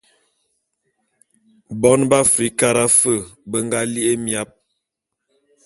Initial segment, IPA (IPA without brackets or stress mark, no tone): b